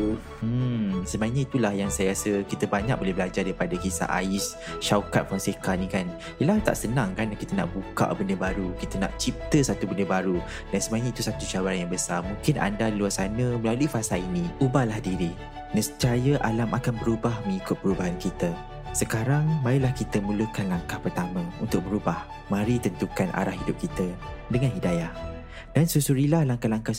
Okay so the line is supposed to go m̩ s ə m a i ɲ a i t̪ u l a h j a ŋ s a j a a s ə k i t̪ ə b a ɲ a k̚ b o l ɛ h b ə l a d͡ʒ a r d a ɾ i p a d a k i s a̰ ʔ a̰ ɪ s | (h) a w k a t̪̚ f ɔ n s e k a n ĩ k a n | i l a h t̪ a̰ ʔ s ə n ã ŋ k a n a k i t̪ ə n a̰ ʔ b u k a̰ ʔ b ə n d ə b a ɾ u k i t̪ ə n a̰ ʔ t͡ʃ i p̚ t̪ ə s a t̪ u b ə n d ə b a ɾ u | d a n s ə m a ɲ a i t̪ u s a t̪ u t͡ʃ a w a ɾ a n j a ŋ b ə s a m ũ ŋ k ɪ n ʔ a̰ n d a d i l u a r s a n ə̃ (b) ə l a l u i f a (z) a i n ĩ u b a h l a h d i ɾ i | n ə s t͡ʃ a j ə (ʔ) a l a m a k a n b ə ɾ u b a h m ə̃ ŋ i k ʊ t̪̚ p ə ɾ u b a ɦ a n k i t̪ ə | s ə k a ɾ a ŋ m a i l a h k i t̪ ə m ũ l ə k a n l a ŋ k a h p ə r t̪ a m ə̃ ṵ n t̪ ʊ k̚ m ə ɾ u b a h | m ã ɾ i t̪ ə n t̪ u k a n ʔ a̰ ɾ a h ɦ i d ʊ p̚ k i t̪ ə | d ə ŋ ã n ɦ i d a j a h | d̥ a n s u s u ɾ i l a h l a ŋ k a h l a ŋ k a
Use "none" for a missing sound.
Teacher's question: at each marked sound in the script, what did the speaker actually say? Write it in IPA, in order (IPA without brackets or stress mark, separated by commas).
ʃ, m, s, ʔ